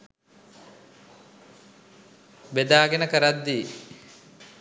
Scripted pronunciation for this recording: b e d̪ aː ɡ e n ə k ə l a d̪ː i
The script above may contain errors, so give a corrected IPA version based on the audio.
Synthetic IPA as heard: b e d̪ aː ɡ e n ə k ə ɾ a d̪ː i